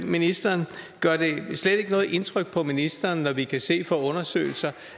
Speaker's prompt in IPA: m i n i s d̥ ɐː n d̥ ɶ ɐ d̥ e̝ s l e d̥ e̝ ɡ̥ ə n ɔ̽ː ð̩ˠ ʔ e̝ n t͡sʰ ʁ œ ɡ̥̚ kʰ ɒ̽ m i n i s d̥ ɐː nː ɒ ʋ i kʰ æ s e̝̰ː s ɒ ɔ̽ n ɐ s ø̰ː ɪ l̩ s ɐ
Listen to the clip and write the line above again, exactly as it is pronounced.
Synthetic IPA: m i n i s d̥ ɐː n ɡ̥ ɶ ɐ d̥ e̝ s l e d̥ e̝ ɡ̥ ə n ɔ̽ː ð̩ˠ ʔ e̝ n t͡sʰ ʁ œ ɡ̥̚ pʰ ɒ̽ m i n i s d̥ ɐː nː ɒ ʋ i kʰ æ s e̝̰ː f ɒ ɔ̽ n ɐ s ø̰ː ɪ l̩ s ɐ